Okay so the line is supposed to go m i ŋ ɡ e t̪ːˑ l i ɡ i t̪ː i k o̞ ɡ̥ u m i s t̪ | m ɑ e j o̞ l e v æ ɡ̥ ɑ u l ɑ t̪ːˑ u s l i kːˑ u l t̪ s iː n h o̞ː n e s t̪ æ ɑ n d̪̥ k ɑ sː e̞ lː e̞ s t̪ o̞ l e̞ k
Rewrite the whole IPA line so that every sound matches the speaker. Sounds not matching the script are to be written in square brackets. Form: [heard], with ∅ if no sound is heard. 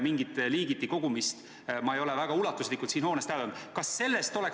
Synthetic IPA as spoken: m i ŋ ɡ [i] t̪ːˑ l [iː] ɡ i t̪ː i k o̞ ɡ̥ u m i s t̪ | m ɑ e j o̞ l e v æ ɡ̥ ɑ u l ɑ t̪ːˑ u s l i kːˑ u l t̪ s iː n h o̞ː n e s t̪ æ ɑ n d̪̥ k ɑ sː e̞ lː e̞ s t̪ o̞ l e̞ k